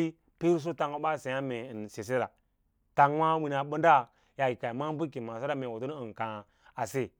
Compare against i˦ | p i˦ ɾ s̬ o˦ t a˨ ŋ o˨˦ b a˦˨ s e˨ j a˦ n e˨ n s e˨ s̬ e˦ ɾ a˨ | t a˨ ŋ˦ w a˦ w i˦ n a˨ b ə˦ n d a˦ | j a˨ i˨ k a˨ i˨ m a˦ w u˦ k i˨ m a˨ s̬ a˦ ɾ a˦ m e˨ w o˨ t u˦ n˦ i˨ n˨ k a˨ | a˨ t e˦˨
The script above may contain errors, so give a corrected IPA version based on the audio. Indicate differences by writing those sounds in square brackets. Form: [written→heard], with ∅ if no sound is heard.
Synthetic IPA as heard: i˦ | p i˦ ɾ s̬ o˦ t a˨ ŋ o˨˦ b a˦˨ s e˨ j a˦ [n→m] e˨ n s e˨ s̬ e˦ ɾ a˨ | t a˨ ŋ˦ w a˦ w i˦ n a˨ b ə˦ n d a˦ | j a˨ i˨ k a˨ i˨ m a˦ [w→b] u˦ k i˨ m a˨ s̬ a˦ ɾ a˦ m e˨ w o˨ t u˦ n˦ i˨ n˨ k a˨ | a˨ [t→s] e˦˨